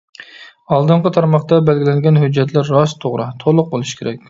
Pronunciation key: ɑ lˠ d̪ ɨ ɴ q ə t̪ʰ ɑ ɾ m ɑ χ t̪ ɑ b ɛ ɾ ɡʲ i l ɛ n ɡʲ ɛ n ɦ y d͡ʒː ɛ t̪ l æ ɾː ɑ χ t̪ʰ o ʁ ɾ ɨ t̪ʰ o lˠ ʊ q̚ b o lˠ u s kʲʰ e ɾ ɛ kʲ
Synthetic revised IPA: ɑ lˠ d̪ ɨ ɴ q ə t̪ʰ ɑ ɾ m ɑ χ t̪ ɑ b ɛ l ɡʲ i l ɛ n ɡʲ ɛ n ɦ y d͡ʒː ɛ t̪ l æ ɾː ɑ s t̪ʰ o ʁ ɾ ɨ t̪ʰ o lˠ ʊ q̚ b o lˠ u ʃ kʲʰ e ɾ ɛ kʲ